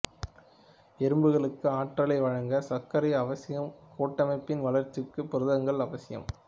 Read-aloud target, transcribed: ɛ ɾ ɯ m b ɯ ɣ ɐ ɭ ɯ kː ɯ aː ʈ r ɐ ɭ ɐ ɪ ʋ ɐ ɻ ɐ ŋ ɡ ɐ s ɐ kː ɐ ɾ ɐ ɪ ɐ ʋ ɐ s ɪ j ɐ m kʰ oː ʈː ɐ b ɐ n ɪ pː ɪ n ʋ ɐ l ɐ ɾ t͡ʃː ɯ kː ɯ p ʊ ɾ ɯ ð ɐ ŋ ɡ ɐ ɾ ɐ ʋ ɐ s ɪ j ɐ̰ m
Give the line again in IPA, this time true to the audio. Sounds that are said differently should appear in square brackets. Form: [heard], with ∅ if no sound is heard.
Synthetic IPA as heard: ɛ ɾ ɯ m b ɯ ɣ ɐ ɭ ɯ kː ɯ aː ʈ r ɐ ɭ ɐ ɪ ʋ ɐ ɻ ɐ ŋ ɡ ɐ s ɐ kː ɐ ɾ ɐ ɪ ɐ ʋ ɐ s ɪ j ɐ m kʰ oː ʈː ɐ [m] ɐ [∅] ɪ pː ɪ n ʋ ɐ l ɐ ɾ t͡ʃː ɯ kː ɯ p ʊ ɾ ɯ ð ɐ ŋ ɡ ɐ [ɭ] ɐ ʋ ɐ s ɪ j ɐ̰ m

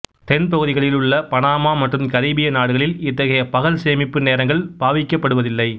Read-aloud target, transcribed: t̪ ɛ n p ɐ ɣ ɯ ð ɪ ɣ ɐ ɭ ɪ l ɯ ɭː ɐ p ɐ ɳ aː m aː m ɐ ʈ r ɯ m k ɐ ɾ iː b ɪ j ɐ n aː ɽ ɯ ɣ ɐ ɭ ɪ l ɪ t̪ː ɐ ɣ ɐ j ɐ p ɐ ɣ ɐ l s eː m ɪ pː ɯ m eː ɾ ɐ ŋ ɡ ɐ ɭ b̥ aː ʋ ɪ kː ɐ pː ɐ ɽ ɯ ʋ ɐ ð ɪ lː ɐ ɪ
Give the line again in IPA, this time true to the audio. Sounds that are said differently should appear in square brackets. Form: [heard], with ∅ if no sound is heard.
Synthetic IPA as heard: t̪ ɛ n p ɐ ɣ ɯ ð ɪ ɣ ɐ ɭ ɪ l ɯ ɭː ɐ p ɐ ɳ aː m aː m ɐ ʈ r ɯ m k ɐ ɾ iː b ɪ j ɐ n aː ɽ ɯ ɣ ɐ ɭ ɪ l ɪ t̪ː ɐ ɣ ɐ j ɐ p ɐ ɣ ɐ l s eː m ɪ pː ɯ [n] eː ɾ ɐ ŋ ɡ ɐ ɭ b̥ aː ʋ ɪ kː ɐ pː ɐ ɽ ɯ ʋ ɐ ð ɪ lː ɐ ɪ

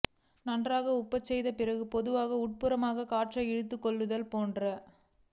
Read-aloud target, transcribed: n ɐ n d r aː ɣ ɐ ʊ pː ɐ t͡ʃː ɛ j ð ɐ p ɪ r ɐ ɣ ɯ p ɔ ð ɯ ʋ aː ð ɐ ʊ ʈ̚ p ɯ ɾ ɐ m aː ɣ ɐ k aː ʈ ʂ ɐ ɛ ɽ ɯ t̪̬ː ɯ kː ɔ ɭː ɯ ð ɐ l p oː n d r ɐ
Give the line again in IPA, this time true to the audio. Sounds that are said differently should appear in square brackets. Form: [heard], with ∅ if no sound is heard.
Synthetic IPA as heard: n ɐ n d r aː ɣ ɐ ʊ pː ɐ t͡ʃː ɛ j ð ɐ p ɪ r ɐ ɣ ɯ p ɔ ð ɯ ʋ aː [ɣ] ɐ ʊ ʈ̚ p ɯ ɾ ɐ m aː ɣ ɐ k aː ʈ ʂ ɐ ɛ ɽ ɯ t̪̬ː ɯ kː ɔ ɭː ɯ ð ɐ l p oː n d r ɐ

